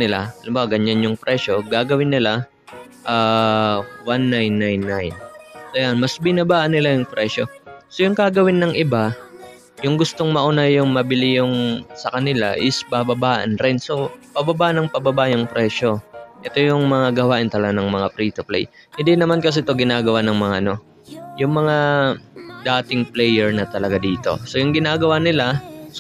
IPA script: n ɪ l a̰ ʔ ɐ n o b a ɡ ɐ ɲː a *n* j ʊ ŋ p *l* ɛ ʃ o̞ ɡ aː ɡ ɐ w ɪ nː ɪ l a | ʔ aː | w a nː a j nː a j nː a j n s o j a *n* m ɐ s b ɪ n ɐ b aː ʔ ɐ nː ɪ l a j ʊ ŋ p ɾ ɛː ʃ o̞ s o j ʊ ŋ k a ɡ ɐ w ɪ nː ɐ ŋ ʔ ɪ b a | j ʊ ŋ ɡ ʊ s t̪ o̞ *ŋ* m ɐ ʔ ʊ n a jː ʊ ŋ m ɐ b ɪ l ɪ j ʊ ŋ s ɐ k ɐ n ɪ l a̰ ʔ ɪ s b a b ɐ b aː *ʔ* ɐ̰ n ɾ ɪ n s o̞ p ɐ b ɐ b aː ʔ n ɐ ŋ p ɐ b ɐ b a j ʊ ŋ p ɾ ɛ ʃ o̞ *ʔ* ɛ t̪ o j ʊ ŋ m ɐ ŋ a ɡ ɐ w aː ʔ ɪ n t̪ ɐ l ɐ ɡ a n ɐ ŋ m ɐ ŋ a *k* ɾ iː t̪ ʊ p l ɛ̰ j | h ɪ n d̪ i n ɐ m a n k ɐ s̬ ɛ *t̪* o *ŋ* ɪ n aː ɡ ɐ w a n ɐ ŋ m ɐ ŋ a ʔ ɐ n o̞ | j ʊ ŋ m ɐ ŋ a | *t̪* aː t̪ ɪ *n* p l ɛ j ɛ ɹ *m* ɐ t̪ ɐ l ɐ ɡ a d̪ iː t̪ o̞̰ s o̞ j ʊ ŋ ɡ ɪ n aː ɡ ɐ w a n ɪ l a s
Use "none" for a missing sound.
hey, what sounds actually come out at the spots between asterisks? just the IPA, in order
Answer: n, ɾ, n, ŋ, ʔ, ʔ, p, t̪, ɡ, d̪, ŋ, n

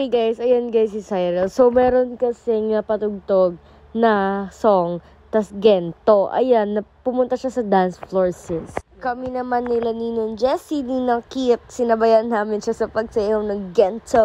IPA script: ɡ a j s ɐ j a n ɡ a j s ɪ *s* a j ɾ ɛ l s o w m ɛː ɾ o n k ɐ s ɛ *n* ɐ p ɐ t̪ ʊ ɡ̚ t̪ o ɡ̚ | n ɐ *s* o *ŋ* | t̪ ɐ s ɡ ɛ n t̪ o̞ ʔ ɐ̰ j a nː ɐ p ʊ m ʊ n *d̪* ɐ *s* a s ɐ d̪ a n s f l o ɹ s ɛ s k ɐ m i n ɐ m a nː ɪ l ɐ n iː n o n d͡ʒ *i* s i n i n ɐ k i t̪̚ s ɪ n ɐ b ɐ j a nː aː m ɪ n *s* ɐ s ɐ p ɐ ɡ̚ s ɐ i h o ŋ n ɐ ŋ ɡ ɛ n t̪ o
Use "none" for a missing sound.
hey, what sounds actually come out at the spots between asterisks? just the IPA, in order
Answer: s, ŋ, s, ŋ, t̪, ʃ, ɛ, ʃ

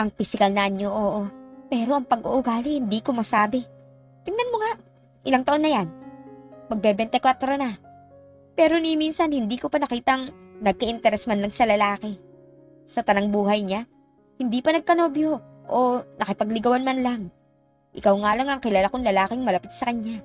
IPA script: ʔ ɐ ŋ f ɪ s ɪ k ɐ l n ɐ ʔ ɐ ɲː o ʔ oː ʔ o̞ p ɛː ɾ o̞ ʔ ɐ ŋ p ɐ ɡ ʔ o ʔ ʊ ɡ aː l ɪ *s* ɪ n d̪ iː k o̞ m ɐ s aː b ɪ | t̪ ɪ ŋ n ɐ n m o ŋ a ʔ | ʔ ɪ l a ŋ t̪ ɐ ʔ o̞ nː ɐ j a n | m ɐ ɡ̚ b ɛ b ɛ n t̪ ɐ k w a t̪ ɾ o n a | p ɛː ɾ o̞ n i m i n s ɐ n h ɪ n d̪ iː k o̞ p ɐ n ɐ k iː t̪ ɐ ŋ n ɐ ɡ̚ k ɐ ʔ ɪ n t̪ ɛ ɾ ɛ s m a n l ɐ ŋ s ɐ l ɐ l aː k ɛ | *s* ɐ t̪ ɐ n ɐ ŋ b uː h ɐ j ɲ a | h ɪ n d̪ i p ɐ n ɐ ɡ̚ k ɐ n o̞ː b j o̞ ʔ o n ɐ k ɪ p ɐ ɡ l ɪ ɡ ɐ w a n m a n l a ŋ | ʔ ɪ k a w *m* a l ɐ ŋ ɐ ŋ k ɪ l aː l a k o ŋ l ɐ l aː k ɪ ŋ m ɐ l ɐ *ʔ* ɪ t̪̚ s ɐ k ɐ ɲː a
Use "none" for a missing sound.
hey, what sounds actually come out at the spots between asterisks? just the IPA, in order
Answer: h, s, ŋ, p

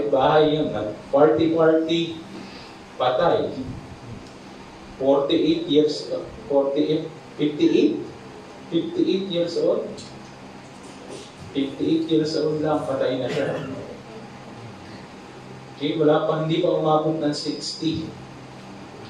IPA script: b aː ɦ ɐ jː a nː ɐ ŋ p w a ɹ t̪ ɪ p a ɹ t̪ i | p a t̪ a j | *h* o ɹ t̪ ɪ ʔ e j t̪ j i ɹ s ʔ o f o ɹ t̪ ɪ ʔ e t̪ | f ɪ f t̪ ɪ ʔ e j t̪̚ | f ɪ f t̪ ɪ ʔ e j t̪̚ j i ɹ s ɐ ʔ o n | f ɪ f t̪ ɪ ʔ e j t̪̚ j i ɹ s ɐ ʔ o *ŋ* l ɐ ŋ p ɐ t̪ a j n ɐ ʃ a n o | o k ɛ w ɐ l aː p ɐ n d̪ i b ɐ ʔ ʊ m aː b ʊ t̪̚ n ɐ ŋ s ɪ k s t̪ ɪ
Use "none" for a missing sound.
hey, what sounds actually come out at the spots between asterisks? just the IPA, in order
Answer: f, n

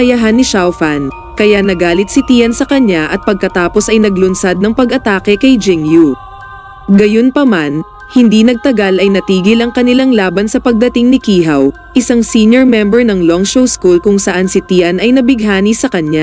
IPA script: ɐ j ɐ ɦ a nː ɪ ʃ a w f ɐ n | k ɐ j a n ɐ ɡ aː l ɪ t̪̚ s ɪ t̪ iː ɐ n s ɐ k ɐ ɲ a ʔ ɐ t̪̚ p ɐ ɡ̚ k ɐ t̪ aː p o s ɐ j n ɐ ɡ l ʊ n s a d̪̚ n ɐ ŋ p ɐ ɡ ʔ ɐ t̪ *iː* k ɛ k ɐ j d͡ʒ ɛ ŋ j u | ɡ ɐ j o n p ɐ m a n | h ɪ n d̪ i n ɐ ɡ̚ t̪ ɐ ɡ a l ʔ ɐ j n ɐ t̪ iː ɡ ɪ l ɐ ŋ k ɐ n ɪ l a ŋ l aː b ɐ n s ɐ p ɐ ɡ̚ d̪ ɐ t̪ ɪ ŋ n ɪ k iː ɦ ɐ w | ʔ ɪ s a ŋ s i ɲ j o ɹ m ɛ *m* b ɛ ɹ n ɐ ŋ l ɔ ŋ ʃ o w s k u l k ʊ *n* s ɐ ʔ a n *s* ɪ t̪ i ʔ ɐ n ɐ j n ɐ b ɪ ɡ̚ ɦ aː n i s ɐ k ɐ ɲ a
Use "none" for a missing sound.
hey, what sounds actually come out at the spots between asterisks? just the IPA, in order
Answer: aː, m, ŋ, s

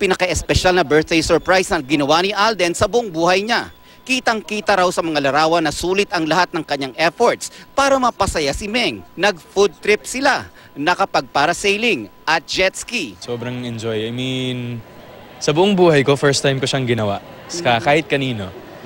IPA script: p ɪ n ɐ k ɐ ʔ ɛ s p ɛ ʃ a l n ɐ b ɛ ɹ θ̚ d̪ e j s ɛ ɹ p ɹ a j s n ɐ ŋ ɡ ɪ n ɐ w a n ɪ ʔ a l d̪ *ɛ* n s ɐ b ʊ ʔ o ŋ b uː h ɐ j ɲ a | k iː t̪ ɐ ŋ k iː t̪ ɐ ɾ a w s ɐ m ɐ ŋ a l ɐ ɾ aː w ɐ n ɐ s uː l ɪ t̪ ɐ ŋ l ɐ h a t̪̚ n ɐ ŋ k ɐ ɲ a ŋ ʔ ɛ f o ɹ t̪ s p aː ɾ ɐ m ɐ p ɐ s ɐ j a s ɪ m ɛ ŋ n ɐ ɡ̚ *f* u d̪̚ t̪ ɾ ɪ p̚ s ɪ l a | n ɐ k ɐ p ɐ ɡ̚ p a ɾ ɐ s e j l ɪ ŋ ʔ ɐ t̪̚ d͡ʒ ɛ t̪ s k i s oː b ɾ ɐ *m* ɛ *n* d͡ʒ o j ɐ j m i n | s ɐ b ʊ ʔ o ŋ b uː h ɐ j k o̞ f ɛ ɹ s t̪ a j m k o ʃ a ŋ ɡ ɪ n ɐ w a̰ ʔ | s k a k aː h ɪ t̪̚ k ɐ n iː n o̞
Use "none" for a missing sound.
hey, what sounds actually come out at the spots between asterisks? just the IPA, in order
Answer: ɛ, f, ŋ, n

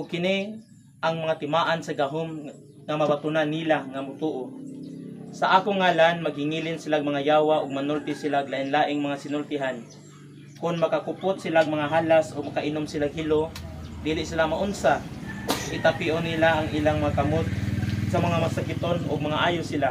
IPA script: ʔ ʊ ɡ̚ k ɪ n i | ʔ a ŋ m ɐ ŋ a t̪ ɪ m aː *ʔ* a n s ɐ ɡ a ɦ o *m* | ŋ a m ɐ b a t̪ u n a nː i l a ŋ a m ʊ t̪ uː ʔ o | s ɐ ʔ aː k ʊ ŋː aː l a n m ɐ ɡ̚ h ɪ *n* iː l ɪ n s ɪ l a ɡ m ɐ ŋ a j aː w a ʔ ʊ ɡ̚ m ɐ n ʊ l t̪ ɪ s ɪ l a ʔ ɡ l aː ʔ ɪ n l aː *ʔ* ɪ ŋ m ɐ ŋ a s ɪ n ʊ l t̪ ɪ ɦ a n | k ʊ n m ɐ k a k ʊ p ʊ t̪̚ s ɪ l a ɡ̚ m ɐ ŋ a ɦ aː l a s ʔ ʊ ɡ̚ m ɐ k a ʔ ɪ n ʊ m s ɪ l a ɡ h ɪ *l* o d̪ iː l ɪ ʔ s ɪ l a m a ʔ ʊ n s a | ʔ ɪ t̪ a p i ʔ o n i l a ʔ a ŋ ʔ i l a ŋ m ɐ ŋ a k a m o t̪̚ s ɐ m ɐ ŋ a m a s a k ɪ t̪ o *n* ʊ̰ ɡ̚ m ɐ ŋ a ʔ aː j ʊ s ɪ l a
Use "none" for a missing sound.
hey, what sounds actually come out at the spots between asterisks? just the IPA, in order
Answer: ʔ, m, ŋ, ʔ, l, n

